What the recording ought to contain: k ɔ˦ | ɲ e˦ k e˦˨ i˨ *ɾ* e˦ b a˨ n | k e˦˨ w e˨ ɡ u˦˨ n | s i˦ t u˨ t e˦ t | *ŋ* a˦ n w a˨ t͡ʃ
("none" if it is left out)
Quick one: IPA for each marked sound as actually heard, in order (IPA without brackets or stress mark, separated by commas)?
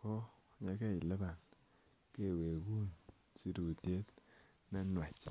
l, n